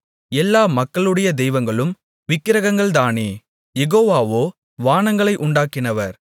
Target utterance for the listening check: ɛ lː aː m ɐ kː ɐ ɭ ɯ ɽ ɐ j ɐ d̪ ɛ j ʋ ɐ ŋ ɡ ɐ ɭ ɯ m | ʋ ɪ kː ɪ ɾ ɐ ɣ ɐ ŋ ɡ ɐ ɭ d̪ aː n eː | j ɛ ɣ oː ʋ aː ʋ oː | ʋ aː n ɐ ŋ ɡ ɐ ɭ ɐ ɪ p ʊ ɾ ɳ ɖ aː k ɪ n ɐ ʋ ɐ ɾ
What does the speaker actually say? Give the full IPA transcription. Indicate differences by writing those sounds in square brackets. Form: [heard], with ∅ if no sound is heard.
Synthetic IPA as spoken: ɛ lː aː m ɐ kː ɐ ɭ ɯ ɽ ɐ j ɐ d̪ ɛ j ʋ ɐ ŋ ɡ ɐ ɭ ɯ m | ʋ ɪ kː ɪ ɾ ɐ ɣ ɐ ŋ ɡ ɐ ɭ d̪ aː n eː | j ɛ ɣ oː ʋ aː ʋ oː | ʋ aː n ɐ ŋ ɡ ɐ ɭ ɐ ɪ [ʔ] ʊ [∅] ɳ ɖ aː k ɪ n ɐ ʋ ɐ ɾ